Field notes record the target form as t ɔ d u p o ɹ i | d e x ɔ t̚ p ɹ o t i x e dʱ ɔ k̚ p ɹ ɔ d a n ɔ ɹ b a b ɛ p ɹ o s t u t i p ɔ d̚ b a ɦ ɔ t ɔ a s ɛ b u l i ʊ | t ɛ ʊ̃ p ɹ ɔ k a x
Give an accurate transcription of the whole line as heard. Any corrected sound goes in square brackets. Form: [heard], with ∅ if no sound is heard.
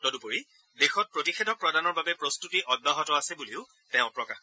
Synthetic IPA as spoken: t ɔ d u p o ɹ i | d e x ɔ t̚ p ɹ o t i x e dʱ ɔ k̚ p ɹ ɔ d a n ɔ ɹ b a b ɛ p ɹ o s t u t i [ʔ] ɔ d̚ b a ɦ ɔ t ɔ a s ɛ b u l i ʊ | t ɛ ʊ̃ p ɹ ɔ k a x